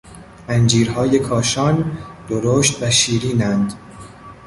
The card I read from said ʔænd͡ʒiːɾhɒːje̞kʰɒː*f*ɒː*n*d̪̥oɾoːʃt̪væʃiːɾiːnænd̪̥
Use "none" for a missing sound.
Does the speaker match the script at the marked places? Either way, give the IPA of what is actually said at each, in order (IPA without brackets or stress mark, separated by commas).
ʃ, n